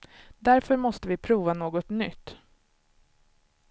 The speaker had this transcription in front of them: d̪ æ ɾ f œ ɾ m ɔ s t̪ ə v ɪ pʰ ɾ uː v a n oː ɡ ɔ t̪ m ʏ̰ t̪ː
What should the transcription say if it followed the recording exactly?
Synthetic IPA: d̪ æ ɾ f œ ɾ m ɔ s t̪ ə v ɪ pʰ ɾ uː v a n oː ɡ ɔ t̪ n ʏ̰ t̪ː